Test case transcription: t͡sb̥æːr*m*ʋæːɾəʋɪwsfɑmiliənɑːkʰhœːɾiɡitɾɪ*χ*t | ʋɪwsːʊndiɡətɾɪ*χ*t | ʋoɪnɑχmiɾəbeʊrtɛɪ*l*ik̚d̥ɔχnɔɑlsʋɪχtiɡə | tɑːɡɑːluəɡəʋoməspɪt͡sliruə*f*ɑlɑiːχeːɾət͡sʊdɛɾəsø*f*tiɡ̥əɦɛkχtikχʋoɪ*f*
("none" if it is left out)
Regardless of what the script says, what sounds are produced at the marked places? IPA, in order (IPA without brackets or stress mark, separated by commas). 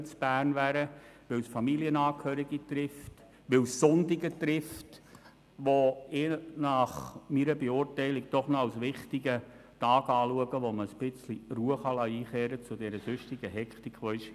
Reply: n, f, f, l, χ, ʃ, ʃ